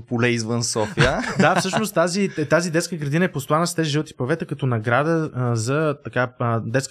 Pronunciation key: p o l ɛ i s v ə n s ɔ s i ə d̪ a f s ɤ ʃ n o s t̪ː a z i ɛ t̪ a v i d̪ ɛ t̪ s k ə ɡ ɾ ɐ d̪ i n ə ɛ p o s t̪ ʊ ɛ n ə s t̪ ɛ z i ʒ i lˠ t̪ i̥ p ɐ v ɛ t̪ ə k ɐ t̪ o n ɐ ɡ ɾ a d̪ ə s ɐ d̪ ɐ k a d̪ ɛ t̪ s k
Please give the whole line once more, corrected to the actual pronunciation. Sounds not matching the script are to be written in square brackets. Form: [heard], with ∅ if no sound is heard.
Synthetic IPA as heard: p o l ɛ i [z] v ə n s ɔ [f] i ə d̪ a f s ɤ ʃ n o s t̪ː a z i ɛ t̪ a [z] i d̪ ɛ t̪ s k ə ɡ ɾ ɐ d̪ i n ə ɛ p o s t̪ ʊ [a] n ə s t̪ ɛ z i ʒ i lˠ t̪ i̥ p ɐ v ɛ t̪ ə k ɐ t̪ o n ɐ ɡ ɾ a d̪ ə [z] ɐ [t̪] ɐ k a d̪ ɛ t̪ s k